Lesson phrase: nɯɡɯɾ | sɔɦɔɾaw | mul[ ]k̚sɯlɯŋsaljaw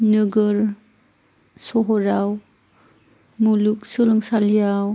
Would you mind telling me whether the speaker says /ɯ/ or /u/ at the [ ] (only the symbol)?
u